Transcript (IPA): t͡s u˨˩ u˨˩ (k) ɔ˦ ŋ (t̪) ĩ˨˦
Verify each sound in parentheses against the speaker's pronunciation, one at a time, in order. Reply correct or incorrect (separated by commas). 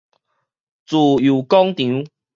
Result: correct, correct